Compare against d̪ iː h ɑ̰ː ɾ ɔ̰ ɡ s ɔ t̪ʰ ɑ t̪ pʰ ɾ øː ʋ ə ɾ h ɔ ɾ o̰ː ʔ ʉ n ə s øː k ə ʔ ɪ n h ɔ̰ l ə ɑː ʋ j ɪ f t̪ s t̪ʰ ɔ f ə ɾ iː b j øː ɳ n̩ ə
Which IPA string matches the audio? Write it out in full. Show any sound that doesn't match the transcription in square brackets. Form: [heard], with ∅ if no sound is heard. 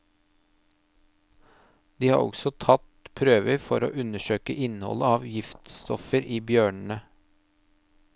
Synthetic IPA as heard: d̪ iː h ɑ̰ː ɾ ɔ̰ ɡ s ɔ t̪ʰ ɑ t̪ pʰ ɾ øː ʋ ə ɾ [f] ɔ ɾ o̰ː ʔ ʉ n ə [ʃ] øː k ə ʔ ɪ n h ɔ̰ l ə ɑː ʋ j ɪ f t̪ s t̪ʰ ɔ f ə ɾ iː b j øː ɳ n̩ ə